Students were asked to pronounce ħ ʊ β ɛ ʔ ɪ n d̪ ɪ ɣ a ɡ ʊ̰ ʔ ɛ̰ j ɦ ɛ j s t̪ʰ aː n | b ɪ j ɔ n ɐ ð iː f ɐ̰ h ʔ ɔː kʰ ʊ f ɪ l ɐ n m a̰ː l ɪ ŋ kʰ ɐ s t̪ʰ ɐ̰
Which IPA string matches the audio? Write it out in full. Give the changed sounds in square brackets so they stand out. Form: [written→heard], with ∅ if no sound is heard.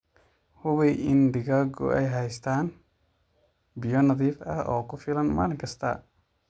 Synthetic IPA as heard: [ħ→h] ʊ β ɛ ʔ ɪ n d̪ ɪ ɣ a ɡ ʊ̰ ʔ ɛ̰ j ɦ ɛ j s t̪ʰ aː n | b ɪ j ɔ n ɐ ð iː f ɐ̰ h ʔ ɔː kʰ ʊ f ɪ l ɐ n m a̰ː l ɪ ŋ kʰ ɐ s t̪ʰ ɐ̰